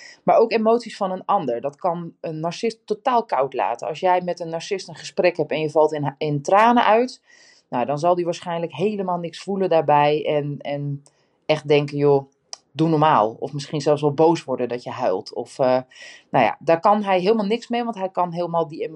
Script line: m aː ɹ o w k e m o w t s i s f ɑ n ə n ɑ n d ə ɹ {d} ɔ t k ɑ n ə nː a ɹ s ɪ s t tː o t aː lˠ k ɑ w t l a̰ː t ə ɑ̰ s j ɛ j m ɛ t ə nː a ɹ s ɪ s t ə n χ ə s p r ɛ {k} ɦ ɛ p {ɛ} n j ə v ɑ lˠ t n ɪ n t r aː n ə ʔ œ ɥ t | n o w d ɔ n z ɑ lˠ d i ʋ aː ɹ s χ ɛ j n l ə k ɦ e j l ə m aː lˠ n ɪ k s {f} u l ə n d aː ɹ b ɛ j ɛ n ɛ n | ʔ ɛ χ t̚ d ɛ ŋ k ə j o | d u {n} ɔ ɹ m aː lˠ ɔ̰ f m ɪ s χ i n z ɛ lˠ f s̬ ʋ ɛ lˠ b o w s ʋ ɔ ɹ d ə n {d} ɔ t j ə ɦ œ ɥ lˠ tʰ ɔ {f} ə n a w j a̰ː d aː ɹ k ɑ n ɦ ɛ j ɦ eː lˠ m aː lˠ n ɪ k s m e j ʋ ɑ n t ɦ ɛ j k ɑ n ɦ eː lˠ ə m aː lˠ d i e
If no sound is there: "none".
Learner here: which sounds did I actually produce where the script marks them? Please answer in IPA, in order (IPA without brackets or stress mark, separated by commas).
d, k, ɛ, f, n, d, f